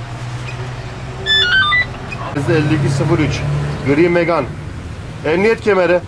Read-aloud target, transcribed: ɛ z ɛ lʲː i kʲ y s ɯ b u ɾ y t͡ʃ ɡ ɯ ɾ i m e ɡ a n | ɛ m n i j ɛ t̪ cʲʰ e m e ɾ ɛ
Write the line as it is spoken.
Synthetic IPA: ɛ z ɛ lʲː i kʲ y s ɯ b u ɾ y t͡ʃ ɡ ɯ ɾ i m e ɡ a n | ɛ m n i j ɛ t̪ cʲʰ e m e ɾ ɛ